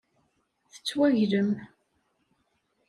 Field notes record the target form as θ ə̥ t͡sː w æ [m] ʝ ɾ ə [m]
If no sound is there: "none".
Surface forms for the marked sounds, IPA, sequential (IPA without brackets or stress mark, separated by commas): none, m